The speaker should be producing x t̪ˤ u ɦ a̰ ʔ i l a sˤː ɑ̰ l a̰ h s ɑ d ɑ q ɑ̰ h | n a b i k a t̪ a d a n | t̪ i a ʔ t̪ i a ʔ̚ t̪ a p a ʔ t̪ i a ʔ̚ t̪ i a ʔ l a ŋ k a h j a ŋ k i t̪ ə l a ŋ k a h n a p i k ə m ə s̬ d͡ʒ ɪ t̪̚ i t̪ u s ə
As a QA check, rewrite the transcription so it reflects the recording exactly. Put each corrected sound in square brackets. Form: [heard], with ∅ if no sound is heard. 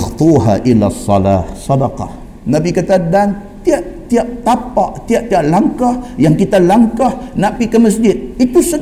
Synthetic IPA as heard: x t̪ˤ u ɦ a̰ ʔ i l a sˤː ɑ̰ l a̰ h s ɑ d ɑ q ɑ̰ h | n a b i k a t̪ a d a n | t̪ i a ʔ t̪ i a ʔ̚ t̪ a p a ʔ t̪ i a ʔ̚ t̪ i a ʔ l a ŋ k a h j a ŋ k i t̪ [a] l a ŋ k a h n a p i k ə m ə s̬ d͡ʒ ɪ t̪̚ i t̪ u s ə